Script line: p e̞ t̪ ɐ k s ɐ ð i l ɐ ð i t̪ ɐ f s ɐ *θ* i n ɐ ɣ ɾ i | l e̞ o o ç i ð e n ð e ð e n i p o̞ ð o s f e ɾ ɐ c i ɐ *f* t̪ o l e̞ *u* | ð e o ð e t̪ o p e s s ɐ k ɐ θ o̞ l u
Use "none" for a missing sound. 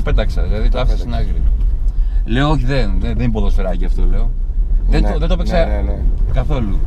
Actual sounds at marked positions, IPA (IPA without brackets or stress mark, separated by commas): s, f, o